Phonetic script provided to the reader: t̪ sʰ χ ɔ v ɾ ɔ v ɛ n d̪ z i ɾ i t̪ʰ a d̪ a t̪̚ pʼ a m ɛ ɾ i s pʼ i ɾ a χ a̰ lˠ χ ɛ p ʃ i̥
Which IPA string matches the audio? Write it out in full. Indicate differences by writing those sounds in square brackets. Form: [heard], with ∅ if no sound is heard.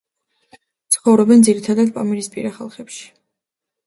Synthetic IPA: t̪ sʰ χ ɔ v ɾ ɔ [b] ɛ n d̪ z i ɾ i t̪ʰ a d̪ a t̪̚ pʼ a m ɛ ɾ i s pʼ i ɾ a χ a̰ lˠ χ ɛ p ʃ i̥